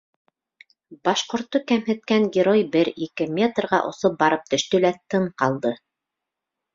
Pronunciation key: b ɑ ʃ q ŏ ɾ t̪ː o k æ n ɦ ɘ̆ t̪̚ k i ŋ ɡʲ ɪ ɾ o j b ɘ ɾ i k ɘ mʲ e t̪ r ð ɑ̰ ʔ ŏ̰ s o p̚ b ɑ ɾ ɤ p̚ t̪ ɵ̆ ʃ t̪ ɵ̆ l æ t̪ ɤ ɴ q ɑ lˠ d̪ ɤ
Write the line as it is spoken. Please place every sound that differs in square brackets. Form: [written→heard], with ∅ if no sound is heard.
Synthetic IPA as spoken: b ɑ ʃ q ŏ ɾ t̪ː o k æ [n→m] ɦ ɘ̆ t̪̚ k [i→æ] ŋ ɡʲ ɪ ɾ o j b ɘ ɾ i k ɘ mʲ e t̪ r [ð→ʁ] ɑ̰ ʔ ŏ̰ s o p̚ b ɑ ɾ ɤ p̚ t̪ ɵ̆ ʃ t̪ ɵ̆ l æ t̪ ɤ ɴ q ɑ lˠ d̪ ɤ